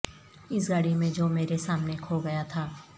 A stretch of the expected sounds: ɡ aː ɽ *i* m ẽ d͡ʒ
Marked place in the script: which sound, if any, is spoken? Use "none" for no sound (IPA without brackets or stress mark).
i